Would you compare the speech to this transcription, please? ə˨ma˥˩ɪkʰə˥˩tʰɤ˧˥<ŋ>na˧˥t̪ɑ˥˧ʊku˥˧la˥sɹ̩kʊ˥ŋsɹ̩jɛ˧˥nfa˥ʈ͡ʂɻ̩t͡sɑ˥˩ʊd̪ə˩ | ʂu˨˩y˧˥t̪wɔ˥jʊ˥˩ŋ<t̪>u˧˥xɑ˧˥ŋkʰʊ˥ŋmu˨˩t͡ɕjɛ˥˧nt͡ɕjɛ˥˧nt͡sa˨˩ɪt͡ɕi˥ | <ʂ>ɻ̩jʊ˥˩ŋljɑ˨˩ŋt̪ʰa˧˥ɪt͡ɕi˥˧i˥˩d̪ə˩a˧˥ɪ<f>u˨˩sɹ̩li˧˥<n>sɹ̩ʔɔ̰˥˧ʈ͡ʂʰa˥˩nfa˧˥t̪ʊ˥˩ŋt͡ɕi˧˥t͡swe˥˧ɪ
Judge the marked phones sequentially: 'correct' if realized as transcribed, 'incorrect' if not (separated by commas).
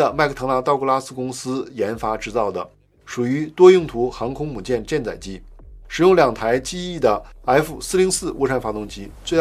correct, incorrect, correct, correct, incorrect